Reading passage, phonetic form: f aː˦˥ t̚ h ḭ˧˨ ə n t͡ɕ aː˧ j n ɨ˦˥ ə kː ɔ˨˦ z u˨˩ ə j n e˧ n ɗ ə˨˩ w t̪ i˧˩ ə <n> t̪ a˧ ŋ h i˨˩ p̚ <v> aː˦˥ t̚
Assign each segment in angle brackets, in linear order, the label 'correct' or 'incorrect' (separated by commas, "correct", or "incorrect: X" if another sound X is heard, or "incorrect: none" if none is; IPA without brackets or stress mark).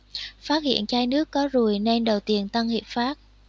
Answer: correct, incorrect: f